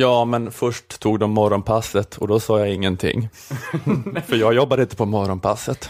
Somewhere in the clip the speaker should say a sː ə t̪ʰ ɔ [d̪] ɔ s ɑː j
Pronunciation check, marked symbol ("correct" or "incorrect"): correct